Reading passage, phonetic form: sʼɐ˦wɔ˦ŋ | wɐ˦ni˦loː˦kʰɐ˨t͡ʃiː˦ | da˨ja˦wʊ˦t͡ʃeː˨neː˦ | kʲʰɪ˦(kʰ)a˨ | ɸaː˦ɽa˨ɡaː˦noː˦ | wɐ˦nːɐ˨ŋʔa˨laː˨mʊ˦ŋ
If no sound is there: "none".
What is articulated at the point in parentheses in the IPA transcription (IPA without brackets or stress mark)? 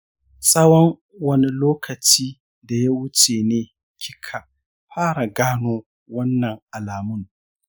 kʰ